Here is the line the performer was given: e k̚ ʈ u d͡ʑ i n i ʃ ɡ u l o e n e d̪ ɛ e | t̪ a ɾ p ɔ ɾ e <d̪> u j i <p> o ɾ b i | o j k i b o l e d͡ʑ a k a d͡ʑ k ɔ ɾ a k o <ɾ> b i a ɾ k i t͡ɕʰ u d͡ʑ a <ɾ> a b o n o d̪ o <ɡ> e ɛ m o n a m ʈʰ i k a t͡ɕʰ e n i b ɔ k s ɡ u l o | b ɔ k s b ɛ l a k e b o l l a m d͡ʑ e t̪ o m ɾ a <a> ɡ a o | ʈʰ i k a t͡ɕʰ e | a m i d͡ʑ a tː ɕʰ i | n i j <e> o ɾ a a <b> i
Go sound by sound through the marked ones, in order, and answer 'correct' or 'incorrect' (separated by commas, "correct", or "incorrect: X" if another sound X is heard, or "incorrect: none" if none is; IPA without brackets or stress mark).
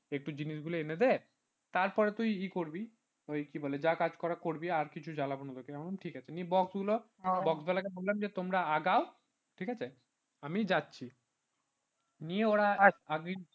incorrect: t̪, incorrect: k, correct, incorrect: l, incorrect: k, correct, correct, incorrect: ɡ